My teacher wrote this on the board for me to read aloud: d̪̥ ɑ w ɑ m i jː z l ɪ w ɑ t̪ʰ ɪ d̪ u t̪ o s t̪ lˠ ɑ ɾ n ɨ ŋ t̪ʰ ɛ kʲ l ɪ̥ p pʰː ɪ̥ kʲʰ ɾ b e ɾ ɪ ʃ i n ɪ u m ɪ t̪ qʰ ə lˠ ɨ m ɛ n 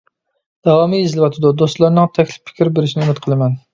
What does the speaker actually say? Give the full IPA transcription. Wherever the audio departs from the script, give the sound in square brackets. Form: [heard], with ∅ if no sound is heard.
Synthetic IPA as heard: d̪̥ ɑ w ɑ m i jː z l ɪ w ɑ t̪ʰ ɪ d̪ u [d̪] o s t̪ lˠ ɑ ɾ n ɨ ŋ t̪ʰ ɛ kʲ l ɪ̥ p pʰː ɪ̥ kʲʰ ɾ b e ɾ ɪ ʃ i n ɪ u m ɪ t̪ qʰ ə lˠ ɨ m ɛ n